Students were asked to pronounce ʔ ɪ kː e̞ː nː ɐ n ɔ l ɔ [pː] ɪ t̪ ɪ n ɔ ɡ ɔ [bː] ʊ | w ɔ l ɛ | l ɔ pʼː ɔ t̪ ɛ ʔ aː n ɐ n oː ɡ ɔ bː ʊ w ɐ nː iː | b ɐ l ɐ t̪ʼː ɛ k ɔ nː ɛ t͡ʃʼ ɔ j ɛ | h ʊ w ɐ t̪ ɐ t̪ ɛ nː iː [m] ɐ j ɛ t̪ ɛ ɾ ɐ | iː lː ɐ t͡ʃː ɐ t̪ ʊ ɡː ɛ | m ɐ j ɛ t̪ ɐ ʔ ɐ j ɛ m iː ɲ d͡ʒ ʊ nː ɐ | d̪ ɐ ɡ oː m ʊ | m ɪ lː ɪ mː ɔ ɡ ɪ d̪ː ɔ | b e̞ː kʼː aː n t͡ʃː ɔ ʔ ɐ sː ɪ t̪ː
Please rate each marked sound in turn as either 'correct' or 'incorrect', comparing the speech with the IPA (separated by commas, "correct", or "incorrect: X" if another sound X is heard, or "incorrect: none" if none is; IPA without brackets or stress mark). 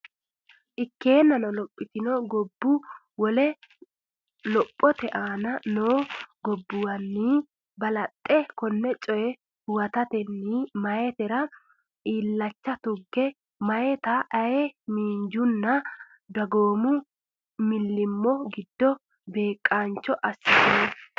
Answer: incorrect: pʼː, correct, correct